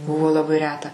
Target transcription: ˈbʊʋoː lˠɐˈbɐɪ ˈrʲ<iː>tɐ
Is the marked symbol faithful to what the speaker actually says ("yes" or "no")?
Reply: no